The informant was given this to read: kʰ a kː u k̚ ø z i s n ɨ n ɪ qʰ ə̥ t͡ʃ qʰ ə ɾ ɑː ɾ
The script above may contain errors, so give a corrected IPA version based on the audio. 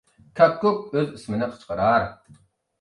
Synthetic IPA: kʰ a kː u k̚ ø z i s m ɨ n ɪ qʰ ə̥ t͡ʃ q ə ɾ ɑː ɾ